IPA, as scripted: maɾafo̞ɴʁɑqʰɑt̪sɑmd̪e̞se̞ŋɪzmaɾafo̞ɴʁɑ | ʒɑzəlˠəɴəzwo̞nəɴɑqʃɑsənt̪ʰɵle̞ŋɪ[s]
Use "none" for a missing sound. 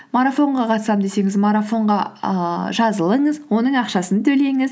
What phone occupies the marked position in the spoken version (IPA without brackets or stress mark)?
z